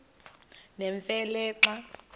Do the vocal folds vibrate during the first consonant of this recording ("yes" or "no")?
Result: yes